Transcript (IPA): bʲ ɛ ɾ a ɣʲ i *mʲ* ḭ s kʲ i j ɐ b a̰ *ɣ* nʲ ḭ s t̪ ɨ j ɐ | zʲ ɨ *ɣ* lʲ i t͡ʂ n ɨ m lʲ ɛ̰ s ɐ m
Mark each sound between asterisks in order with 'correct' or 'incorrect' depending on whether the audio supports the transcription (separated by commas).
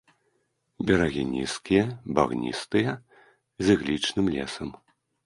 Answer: incorrect, correct, correct